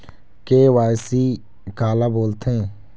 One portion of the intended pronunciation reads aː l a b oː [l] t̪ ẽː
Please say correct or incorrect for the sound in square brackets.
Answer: correct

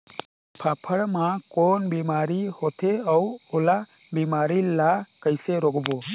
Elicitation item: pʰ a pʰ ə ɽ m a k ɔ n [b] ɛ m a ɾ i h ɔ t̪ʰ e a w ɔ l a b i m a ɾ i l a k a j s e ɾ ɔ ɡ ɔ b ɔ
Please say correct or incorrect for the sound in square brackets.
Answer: correct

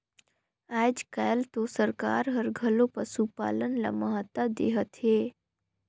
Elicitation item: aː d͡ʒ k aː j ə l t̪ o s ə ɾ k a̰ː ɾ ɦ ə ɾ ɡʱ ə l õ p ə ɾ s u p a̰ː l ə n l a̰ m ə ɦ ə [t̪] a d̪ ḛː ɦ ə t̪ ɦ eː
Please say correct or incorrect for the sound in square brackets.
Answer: correct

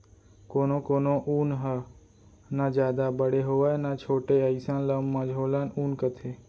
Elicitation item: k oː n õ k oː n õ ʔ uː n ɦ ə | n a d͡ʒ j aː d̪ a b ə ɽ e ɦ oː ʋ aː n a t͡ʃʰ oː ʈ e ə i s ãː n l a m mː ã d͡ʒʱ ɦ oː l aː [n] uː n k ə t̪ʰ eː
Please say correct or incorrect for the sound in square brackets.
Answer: correct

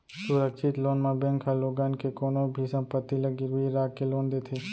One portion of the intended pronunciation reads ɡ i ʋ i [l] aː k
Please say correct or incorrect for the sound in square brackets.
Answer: incorrect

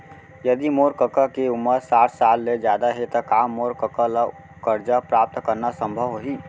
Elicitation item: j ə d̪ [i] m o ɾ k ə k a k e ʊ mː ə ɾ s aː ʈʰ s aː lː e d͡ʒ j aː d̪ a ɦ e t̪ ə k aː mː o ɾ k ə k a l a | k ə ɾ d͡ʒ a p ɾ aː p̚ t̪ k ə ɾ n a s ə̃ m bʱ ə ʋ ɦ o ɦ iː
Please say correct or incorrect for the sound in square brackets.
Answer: correct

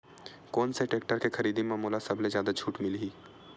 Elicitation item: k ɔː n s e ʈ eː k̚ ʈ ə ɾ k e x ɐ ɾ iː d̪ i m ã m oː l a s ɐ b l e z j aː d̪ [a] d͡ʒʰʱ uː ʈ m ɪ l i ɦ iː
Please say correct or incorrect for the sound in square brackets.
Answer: correct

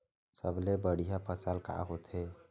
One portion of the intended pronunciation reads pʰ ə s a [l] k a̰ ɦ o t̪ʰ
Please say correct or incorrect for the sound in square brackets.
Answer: correct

